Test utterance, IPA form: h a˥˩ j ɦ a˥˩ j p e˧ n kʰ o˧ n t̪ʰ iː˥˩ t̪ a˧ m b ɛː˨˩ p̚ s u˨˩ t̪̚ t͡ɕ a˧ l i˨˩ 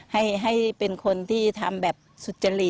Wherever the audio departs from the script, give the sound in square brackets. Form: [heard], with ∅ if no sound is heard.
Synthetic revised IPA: h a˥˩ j ɦ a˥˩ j p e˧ n kʰ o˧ n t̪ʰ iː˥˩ [t̪ʰ] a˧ m b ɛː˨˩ p̚ s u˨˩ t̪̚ t͡ɕ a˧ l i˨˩